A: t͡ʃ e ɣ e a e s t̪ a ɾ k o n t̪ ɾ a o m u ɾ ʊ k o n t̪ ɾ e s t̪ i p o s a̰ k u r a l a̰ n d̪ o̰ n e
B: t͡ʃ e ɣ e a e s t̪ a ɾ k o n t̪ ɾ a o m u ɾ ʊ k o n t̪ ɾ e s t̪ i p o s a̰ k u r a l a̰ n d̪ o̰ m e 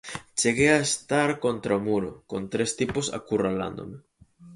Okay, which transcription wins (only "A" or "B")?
B